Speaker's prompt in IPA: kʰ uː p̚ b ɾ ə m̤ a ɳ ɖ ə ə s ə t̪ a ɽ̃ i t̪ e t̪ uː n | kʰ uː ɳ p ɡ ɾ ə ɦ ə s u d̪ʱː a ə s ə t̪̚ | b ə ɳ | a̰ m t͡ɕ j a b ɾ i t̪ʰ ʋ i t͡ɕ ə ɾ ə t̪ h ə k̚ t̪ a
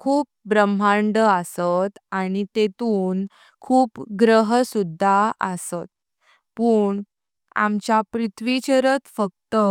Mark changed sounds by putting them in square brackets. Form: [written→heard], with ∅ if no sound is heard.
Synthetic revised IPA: kʰ uː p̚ b ɾ ə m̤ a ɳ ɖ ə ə s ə t̪ a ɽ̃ i t̪ e t̪ uː n | kʰ uː [ɳ→∅] p ɡ ɾ ə ɦ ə s u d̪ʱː a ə s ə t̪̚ | [b→p] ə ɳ | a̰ m t͡ɕ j a [b→p] ɾ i t̪ʰ ʋ i t͡ɕ ə ɾ ə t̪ [h→f] ə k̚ t̪ [a→ə]